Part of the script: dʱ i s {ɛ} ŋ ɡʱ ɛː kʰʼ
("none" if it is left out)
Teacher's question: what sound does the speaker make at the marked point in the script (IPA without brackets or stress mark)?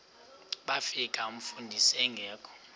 ɛ